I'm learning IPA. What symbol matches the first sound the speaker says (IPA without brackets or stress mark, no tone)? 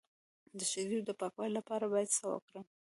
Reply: d̪